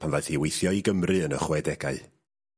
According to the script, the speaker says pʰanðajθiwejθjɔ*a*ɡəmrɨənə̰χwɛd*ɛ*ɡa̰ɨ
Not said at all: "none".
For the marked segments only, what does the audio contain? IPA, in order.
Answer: i, ɛ

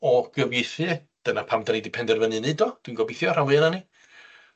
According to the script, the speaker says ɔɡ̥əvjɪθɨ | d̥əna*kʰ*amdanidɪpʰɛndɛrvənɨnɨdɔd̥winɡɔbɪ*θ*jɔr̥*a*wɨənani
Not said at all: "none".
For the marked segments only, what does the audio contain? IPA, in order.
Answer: pʰ, θ, a

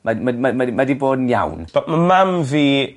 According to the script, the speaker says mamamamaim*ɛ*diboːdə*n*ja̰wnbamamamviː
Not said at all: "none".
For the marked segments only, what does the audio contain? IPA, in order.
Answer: a, n

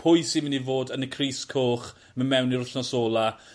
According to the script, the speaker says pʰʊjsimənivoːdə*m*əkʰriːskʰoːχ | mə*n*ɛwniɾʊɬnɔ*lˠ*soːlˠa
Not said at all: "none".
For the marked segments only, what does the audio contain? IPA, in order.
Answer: n, m, none

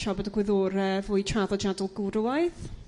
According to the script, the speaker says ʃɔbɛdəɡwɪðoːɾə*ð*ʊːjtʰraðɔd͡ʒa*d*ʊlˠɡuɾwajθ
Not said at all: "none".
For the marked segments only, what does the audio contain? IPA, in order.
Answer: v, d

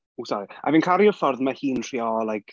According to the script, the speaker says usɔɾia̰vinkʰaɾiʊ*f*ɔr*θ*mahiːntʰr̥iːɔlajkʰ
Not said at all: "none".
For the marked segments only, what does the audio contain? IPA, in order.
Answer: f, ð

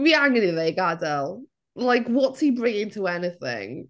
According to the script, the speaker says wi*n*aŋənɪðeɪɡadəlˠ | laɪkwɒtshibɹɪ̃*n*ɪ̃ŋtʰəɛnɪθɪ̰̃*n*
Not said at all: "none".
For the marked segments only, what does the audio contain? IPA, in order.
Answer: none, ŋ, ŋ

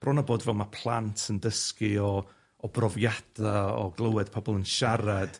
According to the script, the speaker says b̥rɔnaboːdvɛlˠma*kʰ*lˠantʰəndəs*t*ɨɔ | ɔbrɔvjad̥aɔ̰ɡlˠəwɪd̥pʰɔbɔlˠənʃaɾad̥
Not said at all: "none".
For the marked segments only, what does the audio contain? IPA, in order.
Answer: pʰ, k

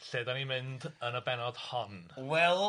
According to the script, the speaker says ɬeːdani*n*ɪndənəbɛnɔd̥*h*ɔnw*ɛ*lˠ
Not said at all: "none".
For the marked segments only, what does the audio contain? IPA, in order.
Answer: m, h, ɛ

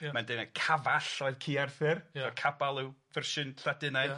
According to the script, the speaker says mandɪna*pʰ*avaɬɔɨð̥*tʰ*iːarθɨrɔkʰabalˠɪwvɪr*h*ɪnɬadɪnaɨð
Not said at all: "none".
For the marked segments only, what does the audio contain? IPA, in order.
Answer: kʰ, kʰ, ʃ

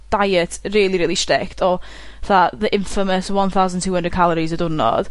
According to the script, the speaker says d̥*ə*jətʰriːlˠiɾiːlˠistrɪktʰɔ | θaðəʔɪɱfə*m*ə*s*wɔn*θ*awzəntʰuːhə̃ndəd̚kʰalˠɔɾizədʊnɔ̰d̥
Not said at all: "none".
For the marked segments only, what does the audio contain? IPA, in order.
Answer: a, m, s, θ

